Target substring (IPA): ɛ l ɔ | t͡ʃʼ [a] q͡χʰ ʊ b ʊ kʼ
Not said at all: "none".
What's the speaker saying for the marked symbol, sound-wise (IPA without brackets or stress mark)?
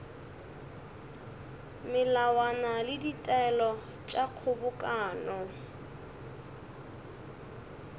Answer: a